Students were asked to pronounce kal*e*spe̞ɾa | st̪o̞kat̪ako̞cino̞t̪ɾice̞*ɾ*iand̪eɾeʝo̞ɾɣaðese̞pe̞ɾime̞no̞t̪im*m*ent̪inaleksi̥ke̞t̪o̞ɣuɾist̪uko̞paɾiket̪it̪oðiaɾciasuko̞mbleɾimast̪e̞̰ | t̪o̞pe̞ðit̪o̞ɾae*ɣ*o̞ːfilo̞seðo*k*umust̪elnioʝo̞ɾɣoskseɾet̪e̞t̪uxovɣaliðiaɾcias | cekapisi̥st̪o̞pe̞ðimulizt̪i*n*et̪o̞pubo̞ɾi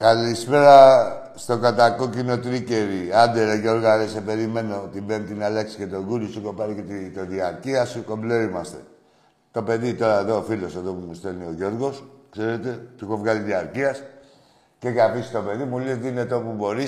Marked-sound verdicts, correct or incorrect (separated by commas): incorrect, correct, incorrect, incorrect, incorrect, correct